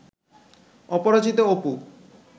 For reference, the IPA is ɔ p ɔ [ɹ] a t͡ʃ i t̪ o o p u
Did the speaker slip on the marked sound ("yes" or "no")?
yes